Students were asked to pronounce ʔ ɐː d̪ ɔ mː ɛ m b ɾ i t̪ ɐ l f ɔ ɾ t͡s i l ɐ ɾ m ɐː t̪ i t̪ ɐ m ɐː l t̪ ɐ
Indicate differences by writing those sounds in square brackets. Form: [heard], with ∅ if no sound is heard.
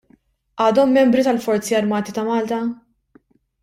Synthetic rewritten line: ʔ ɐː d̪ ɔ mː ɛ m b ɾ i t̪ ɐ l f ɔ ɾ t͡s i [∅] ɐ ɾ m ɐː t̪ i t̪ ɐ m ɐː l t̪ ɐ